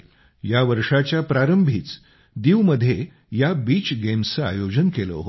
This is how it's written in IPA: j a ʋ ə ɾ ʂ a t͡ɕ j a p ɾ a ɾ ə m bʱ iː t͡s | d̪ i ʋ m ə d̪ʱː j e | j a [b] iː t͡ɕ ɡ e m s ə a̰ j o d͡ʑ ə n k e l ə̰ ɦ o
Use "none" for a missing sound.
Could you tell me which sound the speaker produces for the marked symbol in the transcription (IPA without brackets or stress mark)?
b